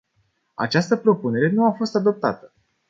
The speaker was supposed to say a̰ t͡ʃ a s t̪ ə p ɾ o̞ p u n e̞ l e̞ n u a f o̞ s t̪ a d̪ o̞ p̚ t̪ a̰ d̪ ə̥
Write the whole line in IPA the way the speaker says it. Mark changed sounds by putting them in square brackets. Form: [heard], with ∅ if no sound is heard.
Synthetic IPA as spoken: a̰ t͡ʃ a s t̪ ə p ɾ o̞ p u n e̞ [ɾ] e̞ n u a f o̞ s t̪ a d̪ o̞ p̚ t̪ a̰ [t̪] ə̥

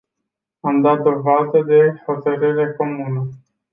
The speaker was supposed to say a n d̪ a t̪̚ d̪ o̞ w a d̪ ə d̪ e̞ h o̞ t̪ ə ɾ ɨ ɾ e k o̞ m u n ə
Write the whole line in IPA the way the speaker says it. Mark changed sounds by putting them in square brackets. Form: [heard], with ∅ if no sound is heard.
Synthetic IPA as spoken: a [m] d̪ a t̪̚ d̪ o̞ [v] a d̪ ə d̪ e̞ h o̞ t̪ ə ɾ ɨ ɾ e k o̞ m u n ə

